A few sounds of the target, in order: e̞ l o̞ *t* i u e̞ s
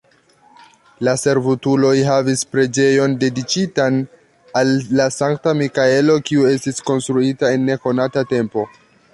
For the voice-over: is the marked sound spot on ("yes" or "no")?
no